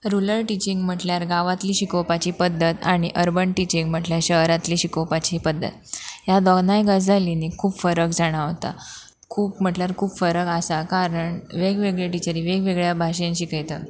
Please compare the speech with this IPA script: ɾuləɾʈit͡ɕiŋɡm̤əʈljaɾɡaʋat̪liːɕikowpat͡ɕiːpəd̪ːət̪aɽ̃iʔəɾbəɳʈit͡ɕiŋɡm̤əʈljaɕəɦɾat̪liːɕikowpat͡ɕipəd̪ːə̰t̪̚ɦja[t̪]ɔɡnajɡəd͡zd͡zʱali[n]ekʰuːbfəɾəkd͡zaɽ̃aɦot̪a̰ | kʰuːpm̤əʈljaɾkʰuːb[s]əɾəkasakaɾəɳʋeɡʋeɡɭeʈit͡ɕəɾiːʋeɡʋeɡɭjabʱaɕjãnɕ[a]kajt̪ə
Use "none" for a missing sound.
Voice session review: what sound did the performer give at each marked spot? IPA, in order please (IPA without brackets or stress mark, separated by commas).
d̪, n, f, i